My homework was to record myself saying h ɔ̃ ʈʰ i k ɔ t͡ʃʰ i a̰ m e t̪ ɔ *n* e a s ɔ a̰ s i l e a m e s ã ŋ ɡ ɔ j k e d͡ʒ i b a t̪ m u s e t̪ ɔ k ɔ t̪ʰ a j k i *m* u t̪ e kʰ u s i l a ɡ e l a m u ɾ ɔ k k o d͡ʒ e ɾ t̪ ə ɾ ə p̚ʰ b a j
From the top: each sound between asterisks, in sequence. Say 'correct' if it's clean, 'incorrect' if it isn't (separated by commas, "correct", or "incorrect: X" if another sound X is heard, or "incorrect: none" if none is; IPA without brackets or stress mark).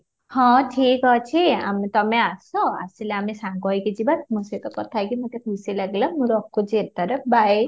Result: incorrect: m, correct